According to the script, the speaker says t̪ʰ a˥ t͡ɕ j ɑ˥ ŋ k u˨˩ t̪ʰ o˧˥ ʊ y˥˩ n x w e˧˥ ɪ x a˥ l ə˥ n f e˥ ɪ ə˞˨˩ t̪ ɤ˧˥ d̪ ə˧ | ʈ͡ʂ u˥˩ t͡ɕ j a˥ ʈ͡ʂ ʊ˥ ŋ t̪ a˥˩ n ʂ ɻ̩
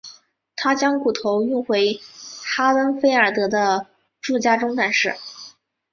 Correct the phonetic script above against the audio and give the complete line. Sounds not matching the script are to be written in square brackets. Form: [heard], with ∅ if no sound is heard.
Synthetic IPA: t̪ʰ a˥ t͡ɕ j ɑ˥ ŋ k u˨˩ t̪ʰ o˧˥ ʊ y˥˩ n x w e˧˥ ɪ x a˥ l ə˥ n f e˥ ɪ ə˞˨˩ t̪ ɤ˧˥ d̪ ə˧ | ʈ͡ʂ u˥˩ t͡ɕ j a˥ ʈ͡ʂ ʊ˥ ŋ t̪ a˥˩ n ʂ ɻ̩